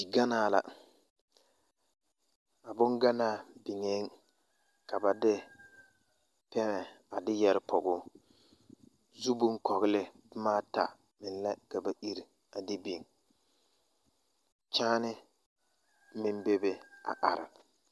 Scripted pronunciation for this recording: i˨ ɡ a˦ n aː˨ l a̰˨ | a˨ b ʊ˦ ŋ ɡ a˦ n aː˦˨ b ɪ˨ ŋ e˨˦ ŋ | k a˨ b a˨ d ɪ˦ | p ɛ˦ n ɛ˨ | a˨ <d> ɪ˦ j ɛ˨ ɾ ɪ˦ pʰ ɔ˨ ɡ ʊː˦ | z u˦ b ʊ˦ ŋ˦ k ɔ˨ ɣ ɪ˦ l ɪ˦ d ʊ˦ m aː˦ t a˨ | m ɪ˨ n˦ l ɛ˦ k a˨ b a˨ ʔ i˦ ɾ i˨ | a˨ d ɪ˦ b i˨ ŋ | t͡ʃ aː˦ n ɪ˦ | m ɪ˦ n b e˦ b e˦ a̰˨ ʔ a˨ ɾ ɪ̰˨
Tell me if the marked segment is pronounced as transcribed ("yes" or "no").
yes